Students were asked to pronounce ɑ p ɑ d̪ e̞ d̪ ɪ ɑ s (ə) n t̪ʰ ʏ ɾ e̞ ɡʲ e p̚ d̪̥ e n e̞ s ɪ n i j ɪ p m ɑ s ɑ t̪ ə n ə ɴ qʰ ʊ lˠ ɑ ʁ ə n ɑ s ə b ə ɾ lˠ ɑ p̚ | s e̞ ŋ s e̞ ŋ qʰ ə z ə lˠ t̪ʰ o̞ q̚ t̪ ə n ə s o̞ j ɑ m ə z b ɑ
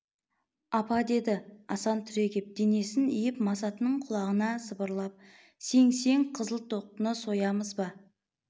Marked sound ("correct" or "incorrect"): incorrect